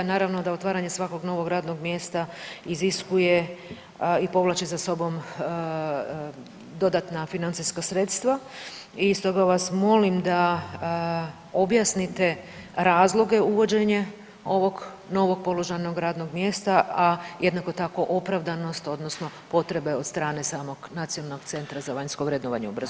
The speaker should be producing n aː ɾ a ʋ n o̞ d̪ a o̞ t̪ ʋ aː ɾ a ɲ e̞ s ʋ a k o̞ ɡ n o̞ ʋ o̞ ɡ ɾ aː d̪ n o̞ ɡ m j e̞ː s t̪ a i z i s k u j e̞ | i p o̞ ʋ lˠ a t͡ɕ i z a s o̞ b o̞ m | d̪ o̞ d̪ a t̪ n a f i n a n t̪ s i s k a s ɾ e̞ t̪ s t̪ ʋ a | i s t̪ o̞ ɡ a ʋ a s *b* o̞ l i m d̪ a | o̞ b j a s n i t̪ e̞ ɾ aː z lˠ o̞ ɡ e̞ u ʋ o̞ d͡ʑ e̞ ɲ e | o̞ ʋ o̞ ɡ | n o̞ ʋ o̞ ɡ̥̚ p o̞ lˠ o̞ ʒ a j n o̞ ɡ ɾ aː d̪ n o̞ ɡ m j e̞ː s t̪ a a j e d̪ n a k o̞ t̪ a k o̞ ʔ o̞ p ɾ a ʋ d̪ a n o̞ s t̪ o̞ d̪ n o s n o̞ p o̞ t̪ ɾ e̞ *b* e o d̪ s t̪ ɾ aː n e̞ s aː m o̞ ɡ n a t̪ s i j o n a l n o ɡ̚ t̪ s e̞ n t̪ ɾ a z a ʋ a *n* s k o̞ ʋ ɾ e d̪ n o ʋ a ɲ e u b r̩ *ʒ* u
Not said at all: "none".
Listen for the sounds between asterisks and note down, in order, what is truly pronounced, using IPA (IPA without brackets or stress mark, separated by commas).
m, b, ɲ, z